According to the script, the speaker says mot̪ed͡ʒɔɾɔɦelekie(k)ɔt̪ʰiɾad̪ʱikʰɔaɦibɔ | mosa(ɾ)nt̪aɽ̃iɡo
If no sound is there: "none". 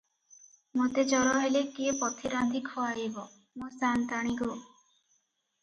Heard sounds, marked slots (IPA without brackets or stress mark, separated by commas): p, none